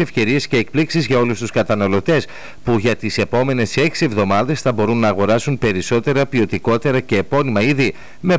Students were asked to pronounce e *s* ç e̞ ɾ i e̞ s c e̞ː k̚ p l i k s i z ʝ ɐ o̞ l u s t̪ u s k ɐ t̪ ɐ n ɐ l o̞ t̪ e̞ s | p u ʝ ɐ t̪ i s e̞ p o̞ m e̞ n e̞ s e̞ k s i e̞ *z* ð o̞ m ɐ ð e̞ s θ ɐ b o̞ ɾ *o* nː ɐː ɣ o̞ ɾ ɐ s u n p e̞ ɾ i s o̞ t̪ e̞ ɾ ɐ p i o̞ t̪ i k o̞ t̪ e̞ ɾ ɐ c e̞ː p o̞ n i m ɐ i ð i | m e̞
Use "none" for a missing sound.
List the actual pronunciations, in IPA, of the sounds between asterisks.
f, v, u

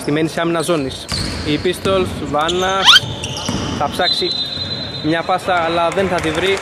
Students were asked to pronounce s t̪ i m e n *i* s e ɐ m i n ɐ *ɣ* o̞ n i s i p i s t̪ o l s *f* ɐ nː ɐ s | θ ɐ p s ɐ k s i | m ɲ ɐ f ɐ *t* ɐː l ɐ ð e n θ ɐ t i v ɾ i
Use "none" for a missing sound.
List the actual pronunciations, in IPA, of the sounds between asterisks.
i, z, v, s

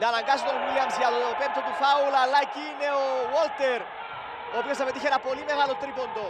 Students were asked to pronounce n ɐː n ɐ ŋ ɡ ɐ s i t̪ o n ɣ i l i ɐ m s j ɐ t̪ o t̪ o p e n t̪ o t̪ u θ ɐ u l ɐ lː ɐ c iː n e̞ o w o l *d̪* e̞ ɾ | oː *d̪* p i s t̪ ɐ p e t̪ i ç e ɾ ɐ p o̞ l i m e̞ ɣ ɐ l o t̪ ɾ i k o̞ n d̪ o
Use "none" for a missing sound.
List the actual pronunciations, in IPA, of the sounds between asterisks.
t̪, none

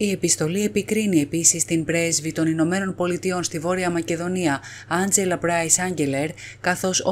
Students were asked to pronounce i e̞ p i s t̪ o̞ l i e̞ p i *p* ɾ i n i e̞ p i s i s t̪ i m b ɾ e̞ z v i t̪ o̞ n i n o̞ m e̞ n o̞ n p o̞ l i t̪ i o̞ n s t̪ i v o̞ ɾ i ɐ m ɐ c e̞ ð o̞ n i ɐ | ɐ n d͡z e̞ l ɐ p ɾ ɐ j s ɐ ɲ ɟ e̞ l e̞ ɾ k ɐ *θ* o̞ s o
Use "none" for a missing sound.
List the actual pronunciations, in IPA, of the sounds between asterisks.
k, θ

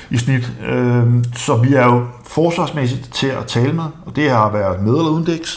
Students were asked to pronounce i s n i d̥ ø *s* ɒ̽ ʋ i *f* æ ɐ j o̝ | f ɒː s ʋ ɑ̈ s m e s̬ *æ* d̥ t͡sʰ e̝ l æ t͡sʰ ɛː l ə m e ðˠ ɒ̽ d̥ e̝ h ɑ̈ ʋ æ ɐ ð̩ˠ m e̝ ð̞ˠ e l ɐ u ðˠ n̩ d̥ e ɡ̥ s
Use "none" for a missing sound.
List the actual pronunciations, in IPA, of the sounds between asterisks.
s, none, i

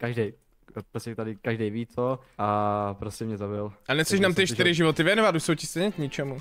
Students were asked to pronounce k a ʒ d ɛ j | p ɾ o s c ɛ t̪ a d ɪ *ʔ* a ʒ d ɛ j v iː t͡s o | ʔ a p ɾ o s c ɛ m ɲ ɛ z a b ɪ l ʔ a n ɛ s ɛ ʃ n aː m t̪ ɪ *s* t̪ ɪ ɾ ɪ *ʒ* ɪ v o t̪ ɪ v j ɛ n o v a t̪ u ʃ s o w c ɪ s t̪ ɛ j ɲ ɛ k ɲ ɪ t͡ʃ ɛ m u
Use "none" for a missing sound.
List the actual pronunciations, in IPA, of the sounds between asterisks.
k, ʃ, ʒ

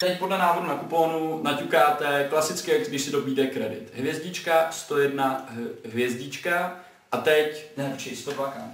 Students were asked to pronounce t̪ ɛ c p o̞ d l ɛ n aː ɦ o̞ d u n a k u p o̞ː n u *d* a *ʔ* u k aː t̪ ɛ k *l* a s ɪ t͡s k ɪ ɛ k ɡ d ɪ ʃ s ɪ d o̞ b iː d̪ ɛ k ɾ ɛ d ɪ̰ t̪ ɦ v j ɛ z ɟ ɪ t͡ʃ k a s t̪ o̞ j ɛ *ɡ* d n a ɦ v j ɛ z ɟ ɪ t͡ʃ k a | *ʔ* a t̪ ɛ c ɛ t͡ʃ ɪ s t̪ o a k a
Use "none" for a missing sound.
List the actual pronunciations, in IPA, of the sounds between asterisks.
n, c, l, none, ʔ

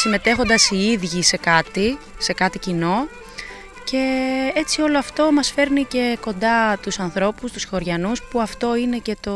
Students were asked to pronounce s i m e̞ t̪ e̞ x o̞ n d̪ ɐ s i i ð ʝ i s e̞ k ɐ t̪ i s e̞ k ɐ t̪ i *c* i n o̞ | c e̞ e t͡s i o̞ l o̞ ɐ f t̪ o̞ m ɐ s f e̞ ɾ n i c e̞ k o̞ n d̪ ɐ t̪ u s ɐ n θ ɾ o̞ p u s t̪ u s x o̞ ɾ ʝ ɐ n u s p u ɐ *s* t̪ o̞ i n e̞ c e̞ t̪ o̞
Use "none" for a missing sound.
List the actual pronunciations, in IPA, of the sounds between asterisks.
c, f

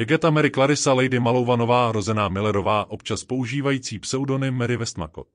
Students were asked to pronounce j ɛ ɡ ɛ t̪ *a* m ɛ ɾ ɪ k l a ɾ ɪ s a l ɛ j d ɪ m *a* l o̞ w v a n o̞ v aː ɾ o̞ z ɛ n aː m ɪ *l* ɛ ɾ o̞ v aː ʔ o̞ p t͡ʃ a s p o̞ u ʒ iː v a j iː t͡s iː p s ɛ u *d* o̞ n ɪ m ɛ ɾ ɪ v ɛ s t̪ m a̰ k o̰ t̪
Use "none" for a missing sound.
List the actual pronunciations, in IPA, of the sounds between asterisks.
a, a, l, d

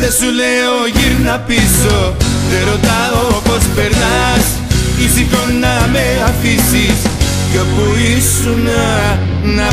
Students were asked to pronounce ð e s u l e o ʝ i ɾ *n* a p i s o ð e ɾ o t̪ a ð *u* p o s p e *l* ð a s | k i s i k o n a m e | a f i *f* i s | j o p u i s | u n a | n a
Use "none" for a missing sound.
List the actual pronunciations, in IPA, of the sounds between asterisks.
n, o, ɾ, s

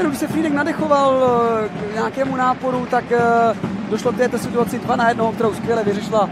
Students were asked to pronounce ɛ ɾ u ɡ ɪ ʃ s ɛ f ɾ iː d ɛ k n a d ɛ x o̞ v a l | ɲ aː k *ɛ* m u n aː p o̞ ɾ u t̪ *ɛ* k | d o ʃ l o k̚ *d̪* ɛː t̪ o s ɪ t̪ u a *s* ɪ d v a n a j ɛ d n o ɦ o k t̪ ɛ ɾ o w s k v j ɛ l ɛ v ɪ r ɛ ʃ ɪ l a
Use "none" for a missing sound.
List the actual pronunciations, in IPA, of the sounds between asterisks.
ɛː, a, t̪, t͡s

